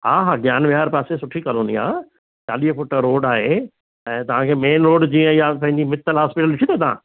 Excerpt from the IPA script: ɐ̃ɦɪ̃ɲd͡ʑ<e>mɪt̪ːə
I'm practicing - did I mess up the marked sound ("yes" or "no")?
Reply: yes